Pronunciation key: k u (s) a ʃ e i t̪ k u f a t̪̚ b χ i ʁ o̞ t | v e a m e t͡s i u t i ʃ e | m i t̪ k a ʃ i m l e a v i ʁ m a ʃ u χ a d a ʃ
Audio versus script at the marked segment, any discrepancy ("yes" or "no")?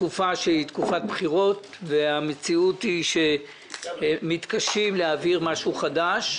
yes